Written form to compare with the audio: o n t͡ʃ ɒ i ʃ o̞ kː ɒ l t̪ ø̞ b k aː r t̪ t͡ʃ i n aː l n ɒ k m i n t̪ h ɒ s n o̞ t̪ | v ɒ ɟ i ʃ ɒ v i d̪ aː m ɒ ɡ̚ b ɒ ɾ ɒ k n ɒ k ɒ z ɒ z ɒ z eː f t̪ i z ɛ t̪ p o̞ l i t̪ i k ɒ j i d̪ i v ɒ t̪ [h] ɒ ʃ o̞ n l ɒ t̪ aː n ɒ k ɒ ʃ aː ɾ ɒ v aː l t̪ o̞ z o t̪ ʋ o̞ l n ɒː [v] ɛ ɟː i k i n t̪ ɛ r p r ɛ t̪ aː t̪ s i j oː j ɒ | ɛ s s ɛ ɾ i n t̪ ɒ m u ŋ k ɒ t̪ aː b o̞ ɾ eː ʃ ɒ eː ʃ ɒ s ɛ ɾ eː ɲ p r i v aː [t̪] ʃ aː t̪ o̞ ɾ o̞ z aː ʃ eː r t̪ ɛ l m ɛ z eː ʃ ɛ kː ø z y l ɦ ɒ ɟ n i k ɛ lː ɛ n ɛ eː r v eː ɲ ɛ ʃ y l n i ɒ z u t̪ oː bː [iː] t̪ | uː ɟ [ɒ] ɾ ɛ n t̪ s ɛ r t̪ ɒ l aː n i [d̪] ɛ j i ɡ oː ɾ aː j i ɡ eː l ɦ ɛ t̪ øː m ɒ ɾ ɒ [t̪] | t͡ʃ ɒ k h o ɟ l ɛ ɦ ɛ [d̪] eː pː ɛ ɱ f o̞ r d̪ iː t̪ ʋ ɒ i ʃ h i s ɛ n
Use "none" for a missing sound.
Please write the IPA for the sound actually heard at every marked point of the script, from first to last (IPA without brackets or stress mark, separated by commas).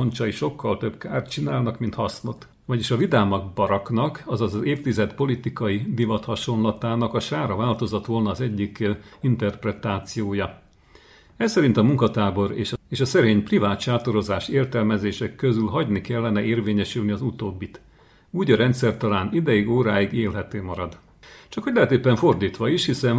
h, z, t̪, i, ɒ, d̪, d̪, t̪